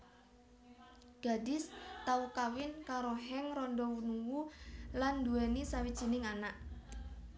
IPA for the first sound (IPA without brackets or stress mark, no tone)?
ɡ̥